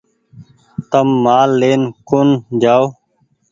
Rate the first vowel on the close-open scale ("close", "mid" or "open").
mid